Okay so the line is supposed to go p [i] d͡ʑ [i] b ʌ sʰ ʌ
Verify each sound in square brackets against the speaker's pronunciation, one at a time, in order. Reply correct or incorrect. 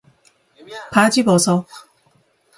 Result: incorrect, correct

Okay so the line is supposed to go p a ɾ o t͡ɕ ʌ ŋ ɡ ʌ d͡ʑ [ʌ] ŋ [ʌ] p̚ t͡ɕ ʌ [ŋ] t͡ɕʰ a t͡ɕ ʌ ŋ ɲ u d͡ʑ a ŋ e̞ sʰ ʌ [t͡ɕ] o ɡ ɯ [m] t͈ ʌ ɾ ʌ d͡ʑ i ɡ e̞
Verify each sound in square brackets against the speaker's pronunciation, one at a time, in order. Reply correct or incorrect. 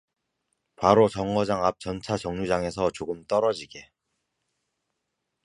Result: incorrect, incorrect, incorrect, correct, correct

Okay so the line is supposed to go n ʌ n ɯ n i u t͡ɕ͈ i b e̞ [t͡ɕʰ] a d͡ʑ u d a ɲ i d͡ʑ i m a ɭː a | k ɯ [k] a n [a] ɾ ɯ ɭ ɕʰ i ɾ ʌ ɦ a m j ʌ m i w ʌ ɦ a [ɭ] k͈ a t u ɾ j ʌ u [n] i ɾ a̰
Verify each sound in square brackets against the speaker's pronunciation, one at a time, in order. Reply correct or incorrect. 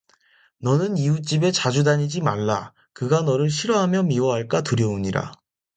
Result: incorrect, incorrect, incorrect, correct, incorrect

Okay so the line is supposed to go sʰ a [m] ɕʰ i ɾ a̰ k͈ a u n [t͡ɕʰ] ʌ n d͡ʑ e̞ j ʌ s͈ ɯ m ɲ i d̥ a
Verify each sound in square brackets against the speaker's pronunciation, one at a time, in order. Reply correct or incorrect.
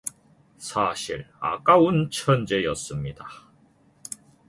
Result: incorrect, correct

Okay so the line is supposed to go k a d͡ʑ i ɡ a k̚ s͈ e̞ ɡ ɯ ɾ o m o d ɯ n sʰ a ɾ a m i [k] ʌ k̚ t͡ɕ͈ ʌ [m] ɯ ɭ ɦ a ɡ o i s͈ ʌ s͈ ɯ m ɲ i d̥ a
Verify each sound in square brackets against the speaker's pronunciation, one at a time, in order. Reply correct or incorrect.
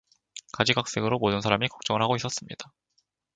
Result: correct, incorrect

